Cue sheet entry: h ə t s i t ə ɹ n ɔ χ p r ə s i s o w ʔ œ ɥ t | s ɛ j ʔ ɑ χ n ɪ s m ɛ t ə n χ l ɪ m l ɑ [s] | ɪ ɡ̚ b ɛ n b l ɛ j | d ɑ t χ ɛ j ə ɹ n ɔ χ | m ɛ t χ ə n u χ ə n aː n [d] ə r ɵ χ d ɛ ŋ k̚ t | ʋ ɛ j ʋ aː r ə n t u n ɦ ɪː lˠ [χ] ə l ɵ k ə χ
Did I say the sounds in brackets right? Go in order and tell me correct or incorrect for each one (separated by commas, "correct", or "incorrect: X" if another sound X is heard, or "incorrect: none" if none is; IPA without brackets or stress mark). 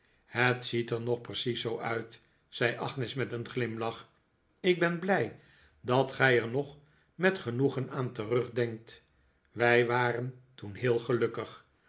incorrect: χ, incorrect: t, correct